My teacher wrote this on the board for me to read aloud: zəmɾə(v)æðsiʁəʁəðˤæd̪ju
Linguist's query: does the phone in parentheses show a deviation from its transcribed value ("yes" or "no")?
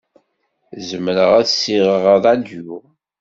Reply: yes